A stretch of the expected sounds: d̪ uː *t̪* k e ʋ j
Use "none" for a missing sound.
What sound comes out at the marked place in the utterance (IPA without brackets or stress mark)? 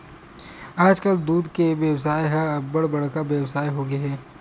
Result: d̪